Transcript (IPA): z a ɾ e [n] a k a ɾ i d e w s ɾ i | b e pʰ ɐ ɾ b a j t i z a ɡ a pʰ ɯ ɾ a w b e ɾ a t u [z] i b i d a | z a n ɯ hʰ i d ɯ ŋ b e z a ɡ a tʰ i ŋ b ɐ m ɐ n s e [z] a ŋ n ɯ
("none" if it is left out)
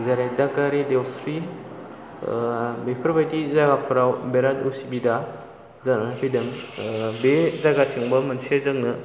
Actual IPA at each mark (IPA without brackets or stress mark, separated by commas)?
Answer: d, s, z